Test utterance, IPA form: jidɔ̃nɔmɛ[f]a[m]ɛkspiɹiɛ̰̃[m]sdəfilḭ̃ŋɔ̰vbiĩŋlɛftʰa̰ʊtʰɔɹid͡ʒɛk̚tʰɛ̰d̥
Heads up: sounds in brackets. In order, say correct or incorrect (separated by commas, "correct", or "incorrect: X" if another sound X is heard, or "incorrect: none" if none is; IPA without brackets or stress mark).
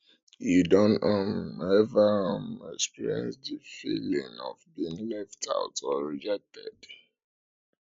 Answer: incorrect: v, correct, incorrect: n